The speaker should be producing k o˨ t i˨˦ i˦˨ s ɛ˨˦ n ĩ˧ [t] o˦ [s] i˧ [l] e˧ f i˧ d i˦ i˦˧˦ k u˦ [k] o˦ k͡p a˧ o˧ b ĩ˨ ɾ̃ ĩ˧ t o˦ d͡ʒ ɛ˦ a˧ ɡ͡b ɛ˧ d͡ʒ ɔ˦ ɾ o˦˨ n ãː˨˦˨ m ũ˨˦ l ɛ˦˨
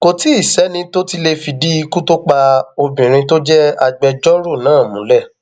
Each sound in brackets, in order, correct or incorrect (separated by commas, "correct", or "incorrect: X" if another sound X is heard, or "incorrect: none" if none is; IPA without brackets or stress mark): correct, incorrect: t, correct, incorrect: t